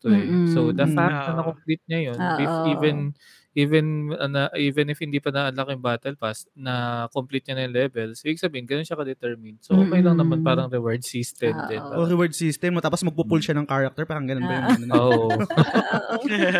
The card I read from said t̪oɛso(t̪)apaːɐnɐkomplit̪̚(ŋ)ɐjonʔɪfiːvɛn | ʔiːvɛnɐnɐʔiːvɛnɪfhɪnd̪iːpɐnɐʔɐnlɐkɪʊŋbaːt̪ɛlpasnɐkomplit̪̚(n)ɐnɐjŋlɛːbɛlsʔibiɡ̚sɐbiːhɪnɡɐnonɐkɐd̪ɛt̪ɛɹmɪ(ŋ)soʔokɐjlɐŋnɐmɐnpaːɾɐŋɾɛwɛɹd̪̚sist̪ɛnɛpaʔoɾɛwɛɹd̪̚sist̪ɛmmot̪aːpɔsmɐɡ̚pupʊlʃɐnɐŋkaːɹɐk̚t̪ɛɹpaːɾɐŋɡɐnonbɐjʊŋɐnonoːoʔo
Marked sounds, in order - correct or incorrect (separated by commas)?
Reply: incorrect, incorrect, incorrect, incorrect